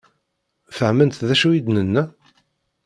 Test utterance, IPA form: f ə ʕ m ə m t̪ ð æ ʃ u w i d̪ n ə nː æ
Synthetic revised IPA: f ə ʕ m ə n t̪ ð æ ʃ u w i d̪ n ə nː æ